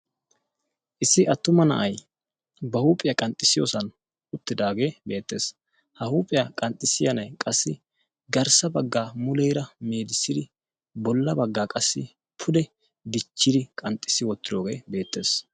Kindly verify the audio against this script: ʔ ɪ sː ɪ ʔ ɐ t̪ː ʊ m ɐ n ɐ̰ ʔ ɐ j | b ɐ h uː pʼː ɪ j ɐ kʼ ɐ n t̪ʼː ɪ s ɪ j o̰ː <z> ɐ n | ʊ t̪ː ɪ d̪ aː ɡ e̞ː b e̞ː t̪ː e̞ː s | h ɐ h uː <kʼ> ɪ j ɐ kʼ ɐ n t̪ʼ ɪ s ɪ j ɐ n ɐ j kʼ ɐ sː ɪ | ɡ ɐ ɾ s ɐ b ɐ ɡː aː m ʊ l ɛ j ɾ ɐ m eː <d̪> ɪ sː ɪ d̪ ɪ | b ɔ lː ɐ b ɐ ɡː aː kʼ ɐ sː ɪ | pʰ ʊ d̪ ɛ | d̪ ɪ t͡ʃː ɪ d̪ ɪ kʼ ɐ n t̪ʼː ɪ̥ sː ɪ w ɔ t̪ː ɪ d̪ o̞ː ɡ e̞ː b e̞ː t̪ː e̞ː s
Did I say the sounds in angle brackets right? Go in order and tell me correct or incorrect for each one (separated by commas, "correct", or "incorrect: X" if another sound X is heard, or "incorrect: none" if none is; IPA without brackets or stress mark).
incorrect: s, incorrect: pʼ, correct